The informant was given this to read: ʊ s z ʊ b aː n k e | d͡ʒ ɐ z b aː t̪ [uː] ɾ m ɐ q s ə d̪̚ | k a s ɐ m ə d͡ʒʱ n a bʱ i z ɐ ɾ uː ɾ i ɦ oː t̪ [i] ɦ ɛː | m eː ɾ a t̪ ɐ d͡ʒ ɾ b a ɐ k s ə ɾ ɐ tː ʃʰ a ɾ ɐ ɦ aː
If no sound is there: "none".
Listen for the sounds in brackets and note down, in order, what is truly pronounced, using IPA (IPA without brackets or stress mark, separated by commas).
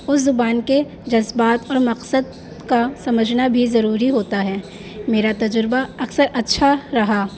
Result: ɔː, a